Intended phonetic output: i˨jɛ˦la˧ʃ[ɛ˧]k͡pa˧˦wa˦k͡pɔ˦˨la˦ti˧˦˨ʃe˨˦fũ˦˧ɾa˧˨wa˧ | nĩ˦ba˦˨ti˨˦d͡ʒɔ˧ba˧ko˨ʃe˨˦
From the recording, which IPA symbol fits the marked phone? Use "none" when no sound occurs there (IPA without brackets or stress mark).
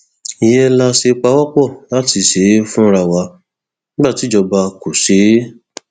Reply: e˧